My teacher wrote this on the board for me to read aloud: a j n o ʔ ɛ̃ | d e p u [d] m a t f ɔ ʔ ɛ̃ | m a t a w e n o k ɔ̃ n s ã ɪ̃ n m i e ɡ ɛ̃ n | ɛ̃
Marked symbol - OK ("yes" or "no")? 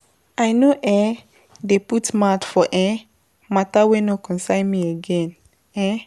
no